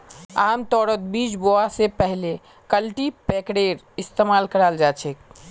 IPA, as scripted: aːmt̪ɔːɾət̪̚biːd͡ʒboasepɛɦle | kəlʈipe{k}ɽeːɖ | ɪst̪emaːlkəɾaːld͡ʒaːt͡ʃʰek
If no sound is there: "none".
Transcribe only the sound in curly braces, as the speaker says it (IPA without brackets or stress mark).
k